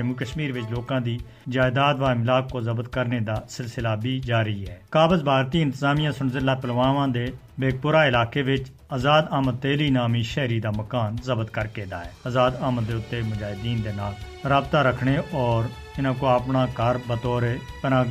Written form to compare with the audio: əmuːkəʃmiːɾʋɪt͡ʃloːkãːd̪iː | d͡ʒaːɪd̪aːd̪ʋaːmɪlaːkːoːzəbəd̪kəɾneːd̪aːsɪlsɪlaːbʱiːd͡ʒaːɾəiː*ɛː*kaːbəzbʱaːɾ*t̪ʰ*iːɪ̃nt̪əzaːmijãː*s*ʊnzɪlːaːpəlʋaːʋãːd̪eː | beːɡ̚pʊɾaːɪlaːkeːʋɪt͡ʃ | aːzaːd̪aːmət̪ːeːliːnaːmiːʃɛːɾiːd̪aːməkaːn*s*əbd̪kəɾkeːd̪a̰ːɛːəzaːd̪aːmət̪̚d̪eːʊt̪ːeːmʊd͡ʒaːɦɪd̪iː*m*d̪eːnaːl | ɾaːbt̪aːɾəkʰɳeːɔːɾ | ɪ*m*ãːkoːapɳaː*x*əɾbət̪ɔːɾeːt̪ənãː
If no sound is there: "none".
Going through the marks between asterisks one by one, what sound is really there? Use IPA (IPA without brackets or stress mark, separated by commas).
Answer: ɛː, t̪, s, z, n, n, k